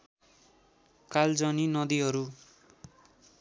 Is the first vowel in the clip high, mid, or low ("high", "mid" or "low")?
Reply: low